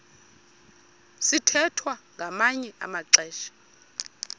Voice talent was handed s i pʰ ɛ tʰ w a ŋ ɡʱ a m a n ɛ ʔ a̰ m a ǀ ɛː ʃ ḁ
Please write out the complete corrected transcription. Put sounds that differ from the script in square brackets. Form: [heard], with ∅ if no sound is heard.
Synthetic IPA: s i [tʰ] ɛ tʰ w a ŋ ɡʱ a m a [ɲ] ɛ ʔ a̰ m a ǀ ɛː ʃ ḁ